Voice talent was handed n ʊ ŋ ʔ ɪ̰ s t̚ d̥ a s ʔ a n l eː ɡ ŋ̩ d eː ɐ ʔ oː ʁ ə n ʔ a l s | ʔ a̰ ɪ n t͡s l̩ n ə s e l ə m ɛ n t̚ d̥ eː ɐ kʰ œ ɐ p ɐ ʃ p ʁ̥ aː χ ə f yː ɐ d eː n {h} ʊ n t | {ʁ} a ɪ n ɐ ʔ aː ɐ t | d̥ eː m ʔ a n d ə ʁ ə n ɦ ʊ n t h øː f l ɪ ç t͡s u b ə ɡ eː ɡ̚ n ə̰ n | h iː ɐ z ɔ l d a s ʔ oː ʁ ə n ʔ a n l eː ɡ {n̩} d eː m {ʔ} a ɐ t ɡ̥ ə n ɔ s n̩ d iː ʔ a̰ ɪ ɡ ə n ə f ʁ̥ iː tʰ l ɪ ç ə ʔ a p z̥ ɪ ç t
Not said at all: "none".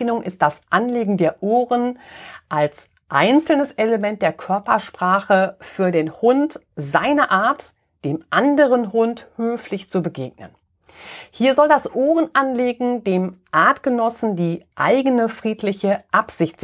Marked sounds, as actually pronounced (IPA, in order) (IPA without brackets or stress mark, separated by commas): h, z, ŋ̩, ʔ